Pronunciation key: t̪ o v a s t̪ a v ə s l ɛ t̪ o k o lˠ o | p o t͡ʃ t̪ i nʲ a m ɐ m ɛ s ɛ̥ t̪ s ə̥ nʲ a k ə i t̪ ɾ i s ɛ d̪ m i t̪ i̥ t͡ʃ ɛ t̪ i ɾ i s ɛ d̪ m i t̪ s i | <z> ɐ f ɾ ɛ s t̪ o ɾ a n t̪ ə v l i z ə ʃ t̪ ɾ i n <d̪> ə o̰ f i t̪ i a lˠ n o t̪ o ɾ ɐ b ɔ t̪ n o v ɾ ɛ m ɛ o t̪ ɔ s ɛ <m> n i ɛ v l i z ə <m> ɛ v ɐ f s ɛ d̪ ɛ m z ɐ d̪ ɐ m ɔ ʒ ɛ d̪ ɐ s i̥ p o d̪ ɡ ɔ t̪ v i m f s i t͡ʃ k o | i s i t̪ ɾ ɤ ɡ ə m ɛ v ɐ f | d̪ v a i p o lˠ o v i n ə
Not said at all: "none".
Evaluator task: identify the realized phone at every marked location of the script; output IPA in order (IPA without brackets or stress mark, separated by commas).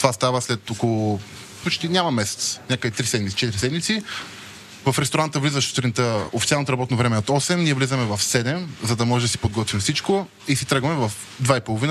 v, t̪, m, m